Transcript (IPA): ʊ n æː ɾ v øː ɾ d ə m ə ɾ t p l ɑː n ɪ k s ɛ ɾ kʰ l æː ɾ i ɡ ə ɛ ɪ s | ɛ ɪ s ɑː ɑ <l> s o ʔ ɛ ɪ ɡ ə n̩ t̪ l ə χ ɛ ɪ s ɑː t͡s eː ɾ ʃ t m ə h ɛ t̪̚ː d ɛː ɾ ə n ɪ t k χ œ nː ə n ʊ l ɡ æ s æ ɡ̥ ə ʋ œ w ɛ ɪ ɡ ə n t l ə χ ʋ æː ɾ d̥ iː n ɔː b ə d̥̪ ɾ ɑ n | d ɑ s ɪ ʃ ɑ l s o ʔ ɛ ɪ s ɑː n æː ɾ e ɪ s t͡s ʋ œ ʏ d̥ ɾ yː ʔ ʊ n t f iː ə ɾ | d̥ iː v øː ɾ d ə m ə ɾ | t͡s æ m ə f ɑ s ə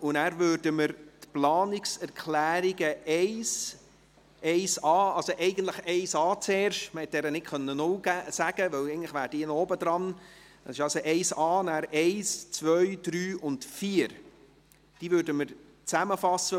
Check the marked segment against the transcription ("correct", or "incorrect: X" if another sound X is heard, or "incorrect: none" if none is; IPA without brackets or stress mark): correct